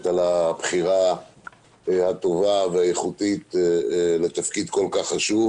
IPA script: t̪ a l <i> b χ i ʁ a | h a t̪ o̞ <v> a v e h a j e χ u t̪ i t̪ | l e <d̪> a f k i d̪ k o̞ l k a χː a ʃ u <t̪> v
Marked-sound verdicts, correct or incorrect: incorrect: a, correct, incorrect: t̪, incorrect: none

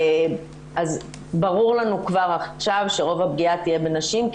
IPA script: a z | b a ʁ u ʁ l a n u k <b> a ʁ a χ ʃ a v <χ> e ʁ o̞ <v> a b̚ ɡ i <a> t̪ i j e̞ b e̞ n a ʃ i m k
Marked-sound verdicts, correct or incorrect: incorrect: v, incorrect: ʃ, correct, correct

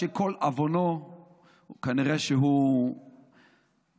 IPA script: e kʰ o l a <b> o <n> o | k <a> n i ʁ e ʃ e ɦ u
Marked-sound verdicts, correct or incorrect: incorrect: v, correct, correct

